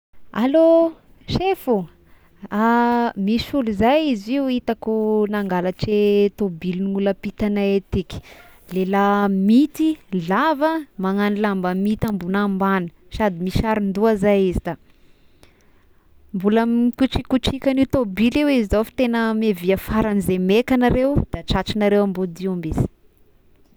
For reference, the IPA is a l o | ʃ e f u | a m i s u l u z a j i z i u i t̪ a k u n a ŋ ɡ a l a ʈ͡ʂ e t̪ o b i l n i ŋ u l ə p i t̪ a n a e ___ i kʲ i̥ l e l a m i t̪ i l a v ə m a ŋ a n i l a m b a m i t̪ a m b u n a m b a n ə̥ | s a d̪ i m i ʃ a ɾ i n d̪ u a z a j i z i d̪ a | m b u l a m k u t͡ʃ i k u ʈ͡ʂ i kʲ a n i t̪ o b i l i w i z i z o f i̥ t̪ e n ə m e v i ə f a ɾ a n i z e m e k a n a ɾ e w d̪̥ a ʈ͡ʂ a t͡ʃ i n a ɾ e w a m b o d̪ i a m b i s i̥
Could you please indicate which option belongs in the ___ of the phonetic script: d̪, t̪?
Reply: t̪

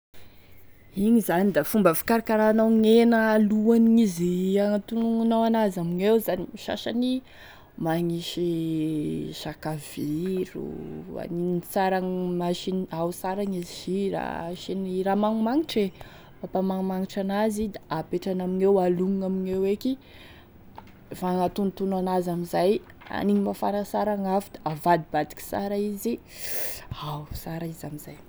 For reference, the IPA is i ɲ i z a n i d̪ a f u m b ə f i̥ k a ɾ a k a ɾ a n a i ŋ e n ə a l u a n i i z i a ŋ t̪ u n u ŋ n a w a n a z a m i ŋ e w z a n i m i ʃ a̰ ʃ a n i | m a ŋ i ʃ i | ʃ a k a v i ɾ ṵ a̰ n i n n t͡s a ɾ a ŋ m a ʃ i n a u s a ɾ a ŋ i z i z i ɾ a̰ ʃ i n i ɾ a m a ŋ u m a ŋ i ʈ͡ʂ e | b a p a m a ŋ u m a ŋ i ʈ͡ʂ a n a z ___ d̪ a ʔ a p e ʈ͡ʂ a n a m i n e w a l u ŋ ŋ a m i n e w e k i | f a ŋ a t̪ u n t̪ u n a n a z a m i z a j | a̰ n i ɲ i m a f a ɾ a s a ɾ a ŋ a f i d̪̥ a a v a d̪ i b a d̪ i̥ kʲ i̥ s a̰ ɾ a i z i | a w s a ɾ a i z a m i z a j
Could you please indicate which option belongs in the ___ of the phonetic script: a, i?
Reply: i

